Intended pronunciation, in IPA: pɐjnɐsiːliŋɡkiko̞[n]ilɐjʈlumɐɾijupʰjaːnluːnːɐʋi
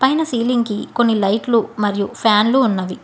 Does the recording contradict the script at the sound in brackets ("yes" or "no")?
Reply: yes